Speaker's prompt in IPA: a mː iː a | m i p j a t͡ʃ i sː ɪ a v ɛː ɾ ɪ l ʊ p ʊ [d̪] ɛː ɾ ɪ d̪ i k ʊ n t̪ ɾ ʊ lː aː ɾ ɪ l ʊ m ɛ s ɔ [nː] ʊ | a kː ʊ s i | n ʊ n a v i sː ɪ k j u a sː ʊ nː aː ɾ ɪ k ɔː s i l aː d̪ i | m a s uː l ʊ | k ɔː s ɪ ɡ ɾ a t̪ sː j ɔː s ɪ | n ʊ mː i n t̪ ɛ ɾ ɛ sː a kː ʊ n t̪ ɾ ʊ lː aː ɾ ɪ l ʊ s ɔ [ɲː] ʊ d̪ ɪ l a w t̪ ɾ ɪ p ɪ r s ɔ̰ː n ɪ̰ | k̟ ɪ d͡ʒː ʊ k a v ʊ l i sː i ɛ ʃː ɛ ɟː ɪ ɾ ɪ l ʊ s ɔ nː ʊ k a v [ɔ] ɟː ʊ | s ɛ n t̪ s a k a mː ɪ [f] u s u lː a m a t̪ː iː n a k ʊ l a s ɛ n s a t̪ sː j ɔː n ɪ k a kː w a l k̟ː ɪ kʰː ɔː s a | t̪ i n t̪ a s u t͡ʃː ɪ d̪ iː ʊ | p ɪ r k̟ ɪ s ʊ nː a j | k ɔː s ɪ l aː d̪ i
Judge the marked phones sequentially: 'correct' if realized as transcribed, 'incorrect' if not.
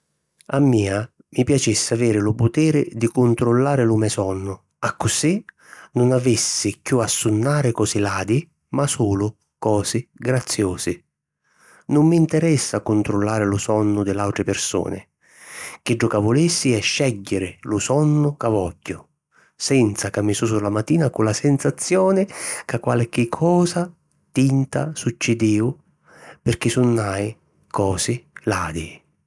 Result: incorrect, correct, incorrect, correct, incorrect

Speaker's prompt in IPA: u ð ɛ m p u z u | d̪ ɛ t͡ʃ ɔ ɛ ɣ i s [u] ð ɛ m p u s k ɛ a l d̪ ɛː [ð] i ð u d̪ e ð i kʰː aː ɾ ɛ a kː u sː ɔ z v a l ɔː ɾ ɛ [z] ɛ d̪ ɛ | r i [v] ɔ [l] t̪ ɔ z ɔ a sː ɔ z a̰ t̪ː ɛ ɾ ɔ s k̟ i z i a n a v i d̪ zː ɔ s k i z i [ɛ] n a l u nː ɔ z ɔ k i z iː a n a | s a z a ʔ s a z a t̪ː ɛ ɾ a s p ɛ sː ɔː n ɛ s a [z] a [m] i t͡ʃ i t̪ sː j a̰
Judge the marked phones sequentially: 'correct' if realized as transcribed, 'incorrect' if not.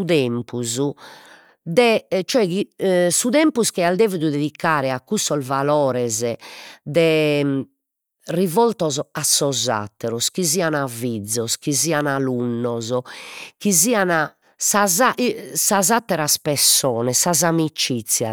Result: correct, incorrect, correct, correct, correct, incorrect, correct, correct

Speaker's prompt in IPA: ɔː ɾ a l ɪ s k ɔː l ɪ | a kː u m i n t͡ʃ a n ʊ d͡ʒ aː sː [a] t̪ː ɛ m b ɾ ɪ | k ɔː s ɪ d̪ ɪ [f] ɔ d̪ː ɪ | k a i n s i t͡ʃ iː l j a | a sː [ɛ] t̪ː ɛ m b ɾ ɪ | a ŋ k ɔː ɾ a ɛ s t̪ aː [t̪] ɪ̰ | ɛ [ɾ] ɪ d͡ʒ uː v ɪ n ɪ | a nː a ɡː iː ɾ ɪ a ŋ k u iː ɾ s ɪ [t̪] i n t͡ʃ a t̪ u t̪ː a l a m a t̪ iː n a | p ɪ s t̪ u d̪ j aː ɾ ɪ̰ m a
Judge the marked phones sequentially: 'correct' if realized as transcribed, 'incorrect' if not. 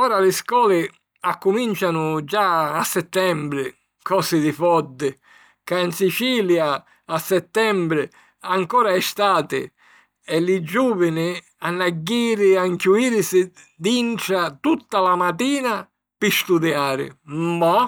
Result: incorrect, correct, correct, correct, incorrect, incorrect

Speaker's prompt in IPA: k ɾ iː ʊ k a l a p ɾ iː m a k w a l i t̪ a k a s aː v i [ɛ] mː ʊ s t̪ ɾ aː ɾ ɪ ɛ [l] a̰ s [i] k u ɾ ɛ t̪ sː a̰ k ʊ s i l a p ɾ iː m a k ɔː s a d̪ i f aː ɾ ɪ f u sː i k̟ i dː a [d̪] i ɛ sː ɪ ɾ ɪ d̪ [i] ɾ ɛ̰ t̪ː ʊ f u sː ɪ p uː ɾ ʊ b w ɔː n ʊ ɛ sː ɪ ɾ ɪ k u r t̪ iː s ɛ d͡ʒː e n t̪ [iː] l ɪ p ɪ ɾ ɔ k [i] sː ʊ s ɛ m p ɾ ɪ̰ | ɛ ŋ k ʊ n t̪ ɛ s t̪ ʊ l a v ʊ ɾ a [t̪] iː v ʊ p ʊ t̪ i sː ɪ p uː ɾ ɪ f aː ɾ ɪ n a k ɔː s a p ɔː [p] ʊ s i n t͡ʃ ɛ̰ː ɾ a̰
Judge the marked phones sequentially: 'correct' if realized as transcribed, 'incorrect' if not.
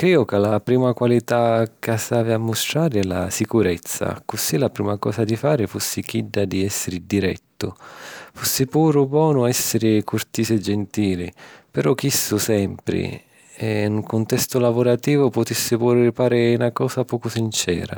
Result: incorrect, correct, correct, correct, correct, correct, correct, correct, incorrect

